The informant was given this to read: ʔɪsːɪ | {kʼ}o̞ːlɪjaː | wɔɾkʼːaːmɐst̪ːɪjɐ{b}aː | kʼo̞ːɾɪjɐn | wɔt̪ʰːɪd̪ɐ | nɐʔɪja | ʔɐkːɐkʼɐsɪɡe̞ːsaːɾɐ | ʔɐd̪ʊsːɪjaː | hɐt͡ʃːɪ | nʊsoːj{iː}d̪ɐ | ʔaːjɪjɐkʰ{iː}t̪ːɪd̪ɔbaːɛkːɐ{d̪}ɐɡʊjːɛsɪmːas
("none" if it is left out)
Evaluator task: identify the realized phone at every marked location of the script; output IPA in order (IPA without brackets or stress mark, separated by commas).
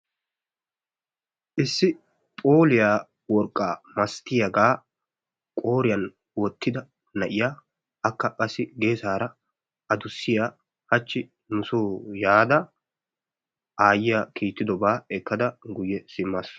pʼ, ɡ, aː, iː, d̪